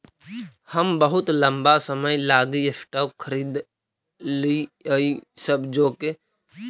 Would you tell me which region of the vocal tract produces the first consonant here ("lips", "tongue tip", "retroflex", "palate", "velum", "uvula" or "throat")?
throat